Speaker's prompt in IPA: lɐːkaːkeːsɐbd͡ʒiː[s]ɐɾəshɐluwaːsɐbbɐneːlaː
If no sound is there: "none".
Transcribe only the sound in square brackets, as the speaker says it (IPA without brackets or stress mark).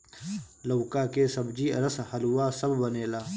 none